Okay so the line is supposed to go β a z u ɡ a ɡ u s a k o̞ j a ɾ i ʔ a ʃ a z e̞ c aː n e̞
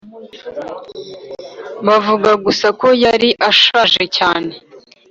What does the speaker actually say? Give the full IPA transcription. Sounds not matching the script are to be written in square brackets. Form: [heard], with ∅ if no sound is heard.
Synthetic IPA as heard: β a [v] u ɡ a ɡ u s a k o̞ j a ɾ i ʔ a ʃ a [ʒ] e̞ c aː n e̞